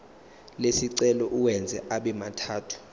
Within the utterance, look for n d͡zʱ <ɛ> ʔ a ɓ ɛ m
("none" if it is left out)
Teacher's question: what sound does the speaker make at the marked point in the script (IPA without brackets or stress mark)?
ɛ